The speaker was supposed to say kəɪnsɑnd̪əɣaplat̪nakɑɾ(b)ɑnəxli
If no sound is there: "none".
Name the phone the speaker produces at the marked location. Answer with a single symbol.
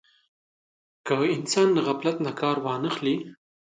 w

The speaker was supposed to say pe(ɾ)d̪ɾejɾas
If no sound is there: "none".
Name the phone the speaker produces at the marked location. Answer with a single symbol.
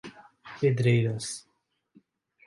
none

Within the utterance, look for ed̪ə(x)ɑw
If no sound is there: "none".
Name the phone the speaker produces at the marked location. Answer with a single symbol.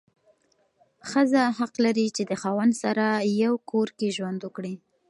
x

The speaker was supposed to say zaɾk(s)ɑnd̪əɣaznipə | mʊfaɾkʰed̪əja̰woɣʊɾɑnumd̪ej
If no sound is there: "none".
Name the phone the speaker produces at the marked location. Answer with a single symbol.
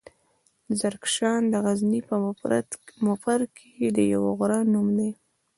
ʃ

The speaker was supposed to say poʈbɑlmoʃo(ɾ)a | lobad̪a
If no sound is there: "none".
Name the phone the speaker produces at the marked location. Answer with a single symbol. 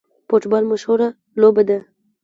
ɾ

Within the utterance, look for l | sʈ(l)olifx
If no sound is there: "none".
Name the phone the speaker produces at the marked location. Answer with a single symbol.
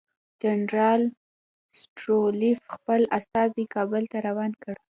ɾ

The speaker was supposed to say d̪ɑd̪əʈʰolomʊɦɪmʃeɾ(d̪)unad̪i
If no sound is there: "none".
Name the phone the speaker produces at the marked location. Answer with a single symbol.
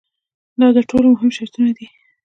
t̪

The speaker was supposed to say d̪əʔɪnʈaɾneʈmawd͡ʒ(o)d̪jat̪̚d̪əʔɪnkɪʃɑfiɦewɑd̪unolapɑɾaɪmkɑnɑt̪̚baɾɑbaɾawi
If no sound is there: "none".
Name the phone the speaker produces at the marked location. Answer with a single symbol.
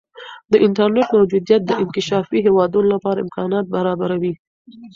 u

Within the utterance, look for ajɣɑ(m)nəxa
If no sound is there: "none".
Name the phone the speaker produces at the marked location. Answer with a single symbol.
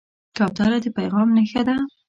m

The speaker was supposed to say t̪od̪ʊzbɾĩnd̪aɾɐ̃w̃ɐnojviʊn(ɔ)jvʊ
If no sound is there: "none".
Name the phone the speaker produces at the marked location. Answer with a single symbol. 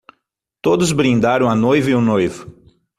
o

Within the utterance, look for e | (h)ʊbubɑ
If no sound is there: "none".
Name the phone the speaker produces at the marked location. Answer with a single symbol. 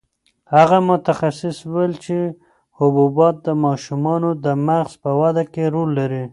h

